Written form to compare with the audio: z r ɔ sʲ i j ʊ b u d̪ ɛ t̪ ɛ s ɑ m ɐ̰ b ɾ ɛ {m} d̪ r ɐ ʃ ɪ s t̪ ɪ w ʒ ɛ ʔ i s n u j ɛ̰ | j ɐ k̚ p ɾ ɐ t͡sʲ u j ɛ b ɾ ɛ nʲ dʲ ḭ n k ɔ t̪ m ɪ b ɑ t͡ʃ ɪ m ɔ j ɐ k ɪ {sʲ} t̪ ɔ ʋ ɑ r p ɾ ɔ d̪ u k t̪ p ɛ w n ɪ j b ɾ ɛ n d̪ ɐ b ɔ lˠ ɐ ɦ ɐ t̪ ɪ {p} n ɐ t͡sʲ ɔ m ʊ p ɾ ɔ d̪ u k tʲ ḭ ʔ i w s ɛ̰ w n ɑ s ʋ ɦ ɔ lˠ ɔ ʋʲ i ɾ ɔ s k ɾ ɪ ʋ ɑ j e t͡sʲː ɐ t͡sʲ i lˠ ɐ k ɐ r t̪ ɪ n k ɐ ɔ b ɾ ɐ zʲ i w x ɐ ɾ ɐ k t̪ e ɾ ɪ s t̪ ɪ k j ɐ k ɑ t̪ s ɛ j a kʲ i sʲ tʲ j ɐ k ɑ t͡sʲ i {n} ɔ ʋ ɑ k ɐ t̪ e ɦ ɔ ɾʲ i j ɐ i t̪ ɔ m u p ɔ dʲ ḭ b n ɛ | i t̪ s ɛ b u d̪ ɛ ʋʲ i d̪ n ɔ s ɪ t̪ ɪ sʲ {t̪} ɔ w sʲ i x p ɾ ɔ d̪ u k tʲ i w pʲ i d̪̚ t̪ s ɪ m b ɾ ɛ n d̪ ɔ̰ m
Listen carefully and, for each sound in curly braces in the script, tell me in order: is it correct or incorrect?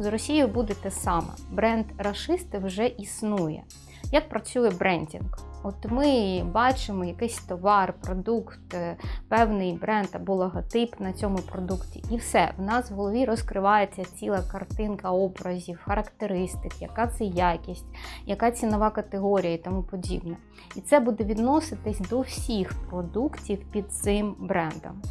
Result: incorrect: n, correct, correct, correct, incorrect: d̪

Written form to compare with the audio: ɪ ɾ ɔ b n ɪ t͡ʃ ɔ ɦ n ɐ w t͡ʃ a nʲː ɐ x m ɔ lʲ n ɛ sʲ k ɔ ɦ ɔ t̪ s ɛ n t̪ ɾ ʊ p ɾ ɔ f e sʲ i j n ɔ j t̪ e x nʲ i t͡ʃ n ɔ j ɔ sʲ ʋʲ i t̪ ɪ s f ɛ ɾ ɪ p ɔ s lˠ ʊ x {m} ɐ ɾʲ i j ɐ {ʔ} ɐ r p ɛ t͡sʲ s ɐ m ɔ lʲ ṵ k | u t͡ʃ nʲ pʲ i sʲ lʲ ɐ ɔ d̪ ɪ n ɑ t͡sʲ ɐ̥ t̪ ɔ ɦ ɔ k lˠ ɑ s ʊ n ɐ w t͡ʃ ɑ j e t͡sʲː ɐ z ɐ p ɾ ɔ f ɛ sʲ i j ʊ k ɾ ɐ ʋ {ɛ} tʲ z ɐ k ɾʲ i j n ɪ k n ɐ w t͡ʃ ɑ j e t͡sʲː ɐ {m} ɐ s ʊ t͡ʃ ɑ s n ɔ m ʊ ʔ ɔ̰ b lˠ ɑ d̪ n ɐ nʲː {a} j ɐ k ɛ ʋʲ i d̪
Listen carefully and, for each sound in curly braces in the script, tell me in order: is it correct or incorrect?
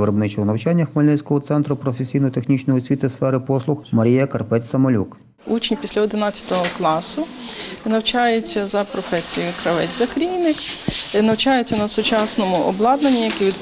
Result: correct, incorrect: k, correct, incorrect: n, incorrect: i

